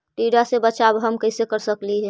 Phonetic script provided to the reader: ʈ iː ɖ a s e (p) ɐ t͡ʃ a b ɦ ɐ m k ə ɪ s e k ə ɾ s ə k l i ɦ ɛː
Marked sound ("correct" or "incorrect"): incorrect